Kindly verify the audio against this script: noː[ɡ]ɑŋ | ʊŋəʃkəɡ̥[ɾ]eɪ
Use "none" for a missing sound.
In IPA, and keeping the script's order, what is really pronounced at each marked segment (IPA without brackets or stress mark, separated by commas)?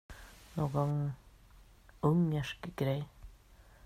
ɡ, ɾ